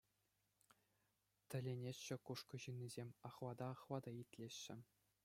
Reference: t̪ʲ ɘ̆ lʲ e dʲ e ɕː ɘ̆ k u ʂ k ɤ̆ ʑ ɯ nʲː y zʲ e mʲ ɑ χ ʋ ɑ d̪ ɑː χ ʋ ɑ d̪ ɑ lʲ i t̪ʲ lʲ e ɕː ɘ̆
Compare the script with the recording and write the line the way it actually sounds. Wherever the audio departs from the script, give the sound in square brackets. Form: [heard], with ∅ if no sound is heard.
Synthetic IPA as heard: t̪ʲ ɘ̆ lʲ e [nʲ] e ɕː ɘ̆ k u ʂ k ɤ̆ ʑ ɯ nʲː [i] zʲ e mʲ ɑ χ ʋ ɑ d̪ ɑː χ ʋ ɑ d̪ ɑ [∅] i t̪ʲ lʲ e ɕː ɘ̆